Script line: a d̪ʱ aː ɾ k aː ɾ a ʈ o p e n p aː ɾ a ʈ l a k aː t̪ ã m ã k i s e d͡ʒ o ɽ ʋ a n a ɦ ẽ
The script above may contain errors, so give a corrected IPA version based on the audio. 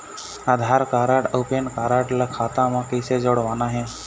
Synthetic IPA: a d̪ʱ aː ɾ k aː ɾ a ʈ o p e n k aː ɾ a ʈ l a kʰ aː t̪ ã m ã k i s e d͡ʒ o ɽ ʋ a n a ɦ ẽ